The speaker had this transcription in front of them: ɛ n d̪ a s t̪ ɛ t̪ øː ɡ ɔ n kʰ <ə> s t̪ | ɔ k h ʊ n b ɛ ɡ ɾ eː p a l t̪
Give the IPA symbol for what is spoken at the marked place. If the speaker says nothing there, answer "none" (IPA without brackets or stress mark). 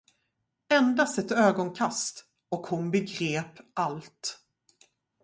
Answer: a